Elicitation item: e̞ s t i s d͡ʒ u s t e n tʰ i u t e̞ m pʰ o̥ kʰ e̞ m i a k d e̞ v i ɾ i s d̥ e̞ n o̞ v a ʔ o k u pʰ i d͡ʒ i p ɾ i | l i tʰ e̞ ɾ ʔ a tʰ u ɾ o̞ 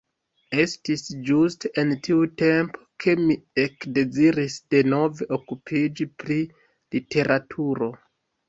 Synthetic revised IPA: e̞ s t i s d͡ʒ u s t e n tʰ i u t e̞ m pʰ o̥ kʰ e̞ m i e k d e̞ z i ɾ i s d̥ e̞ n o̞ v e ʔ o k u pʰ i d͡ʒ i p ɾ i | l i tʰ e̞ ɾ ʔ a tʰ u ɾ o̞